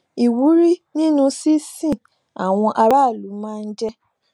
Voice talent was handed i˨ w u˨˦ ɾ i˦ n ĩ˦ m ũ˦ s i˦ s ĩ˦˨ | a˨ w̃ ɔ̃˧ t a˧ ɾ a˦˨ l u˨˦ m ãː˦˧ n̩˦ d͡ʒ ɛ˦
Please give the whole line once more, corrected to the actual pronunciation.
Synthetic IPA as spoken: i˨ w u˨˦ ɾ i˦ n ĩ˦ n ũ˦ s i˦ s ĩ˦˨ | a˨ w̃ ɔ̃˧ ʔ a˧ ɾ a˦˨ l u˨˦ m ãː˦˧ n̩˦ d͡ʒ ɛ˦